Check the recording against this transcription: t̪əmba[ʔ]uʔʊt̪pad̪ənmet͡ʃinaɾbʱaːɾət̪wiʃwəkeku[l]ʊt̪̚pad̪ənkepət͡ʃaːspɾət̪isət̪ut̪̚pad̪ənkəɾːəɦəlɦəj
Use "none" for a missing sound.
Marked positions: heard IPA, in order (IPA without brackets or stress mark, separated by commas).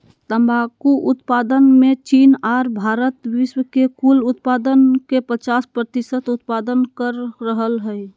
k, l